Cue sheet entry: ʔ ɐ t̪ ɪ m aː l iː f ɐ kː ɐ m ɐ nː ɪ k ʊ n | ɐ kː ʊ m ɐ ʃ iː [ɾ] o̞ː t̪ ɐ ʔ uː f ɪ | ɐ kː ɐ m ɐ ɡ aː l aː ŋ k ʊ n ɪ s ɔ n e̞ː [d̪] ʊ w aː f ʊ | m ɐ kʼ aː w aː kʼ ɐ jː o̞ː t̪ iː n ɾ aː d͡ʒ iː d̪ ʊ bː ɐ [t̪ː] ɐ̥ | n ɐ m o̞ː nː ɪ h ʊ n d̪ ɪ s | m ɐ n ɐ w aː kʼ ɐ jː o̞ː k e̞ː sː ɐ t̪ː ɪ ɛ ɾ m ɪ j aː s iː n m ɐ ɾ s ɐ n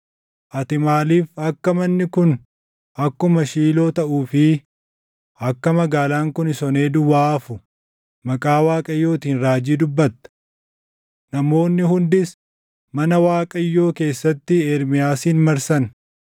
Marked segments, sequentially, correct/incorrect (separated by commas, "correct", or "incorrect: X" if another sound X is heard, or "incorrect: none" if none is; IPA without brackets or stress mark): incorrect: l, correct, correct